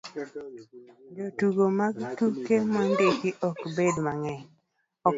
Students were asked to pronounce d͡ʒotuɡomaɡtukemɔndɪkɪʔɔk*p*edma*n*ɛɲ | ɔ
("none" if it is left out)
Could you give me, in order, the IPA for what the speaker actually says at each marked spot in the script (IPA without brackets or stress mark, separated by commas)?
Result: b, ŋ